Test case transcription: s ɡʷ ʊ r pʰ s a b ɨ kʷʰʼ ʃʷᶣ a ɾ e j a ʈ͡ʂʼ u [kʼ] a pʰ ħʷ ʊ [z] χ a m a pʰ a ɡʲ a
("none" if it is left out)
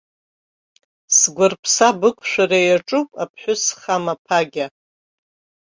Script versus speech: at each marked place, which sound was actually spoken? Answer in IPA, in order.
pʼ, s

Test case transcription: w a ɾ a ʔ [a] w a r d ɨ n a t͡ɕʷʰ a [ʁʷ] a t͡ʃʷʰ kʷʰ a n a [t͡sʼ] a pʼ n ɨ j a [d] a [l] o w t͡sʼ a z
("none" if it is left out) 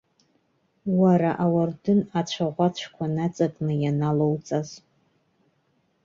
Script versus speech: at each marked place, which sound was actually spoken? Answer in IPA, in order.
a, ʁʷ, t͡sʼ, n, l

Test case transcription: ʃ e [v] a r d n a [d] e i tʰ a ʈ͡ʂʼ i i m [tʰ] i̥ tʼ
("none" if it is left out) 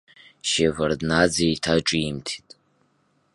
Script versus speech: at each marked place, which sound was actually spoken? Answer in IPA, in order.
v, d͡z, tʰ

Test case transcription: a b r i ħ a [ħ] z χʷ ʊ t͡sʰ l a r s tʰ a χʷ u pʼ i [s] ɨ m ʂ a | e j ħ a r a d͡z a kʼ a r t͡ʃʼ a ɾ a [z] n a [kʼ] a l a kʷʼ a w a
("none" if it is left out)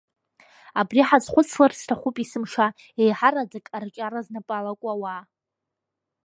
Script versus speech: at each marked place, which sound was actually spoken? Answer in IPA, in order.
none, s, z, pʼ

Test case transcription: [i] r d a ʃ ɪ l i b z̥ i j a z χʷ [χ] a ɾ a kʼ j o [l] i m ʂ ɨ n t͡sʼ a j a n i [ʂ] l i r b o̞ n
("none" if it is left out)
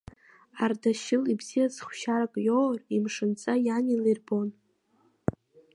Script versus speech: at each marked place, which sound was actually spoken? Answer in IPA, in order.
a, ʃ, r, none

